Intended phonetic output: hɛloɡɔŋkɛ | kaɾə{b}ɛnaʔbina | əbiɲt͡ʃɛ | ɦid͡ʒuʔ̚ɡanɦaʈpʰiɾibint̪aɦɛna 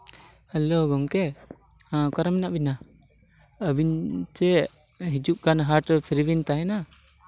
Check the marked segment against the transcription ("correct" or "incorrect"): incorrect